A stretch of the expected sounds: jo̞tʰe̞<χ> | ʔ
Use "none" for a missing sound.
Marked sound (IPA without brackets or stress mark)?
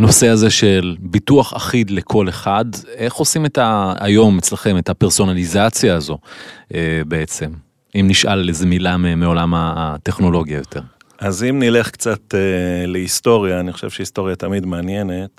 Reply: ʁ